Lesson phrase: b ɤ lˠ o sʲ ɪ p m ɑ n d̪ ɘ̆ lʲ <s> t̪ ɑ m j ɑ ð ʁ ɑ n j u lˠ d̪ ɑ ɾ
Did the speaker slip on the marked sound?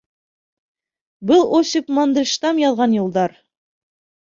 yes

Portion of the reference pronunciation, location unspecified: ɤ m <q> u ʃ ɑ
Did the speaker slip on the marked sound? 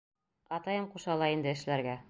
no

